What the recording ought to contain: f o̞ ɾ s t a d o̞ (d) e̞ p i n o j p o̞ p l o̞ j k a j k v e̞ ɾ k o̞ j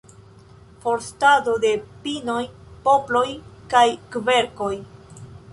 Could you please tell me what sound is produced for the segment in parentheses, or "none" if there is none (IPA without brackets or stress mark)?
d